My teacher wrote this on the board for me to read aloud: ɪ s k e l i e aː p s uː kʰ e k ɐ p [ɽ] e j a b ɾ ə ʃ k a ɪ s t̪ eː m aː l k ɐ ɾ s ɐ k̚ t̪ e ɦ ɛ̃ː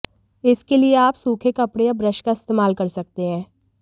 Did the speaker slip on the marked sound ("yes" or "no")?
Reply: no